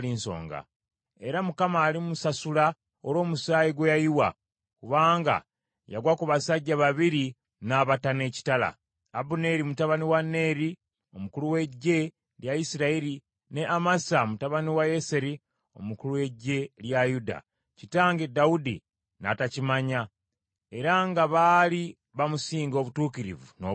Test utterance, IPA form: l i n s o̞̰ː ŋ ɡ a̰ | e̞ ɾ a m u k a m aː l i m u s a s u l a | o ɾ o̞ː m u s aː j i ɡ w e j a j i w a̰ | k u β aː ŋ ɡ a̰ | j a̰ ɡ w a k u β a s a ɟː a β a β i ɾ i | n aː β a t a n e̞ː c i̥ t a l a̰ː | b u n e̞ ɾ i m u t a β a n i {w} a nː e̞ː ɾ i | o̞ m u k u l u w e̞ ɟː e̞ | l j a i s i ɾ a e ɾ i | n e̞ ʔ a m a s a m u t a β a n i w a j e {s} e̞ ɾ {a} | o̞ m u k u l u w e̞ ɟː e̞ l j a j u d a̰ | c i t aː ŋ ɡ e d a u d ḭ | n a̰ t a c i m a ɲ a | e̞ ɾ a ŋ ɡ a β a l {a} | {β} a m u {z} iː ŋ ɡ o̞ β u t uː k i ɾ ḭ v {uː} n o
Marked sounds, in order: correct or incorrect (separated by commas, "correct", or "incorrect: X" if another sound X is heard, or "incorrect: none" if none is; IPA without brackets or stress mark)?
correct, correct, incorrect: i, incorrect: i, correct, incorrect: s, incorrect: u